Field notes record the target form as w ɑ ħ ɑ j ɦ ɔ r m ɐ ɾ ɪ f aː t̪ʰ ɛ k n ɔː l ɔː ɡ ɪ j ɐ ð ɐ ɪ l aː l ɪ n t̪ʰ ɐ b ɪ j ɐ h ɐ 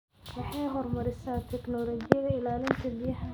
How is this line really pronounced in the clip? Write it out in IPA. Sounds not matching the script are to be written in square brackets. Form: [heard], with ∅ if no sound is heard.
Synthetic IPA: w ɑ ħ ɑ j ɦ ɔ r m ɐ ɾ ɪ [s] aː t̪ʰ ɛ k n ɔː l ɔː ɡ ɪ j ɐ ð ɐ ɪ l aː l ɪ n t̪ʰ ɐ b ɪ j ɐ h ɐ